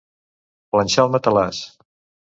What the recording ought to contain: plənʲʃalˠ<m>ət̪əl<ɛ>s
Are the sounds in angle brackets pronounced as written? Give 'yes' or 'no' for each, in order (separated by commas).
yes, no